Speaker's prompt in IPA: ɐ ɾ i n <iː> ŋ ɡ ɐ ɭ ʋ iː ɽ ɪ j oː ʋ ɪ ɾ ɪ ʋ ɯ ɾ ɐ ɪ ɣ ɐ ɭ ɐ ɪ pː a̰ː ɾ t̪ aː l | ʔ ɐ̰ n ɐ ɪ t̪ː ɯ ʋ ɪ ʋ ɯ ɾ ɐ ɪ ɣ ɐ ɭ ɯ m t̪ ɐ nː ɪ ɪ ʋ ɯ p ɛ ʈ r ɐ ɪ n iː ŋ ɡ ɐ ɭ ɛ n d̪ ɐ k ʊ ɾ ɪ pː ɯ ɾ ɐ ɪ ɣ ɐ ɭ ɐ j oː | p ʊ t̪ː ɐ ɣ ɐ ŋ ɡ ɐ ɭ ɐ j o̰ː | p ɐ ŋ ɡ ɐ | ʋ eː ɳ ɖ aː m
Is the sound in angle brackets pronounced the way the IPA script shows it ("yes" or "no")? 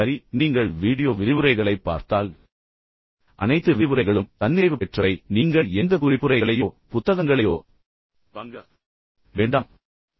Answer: yes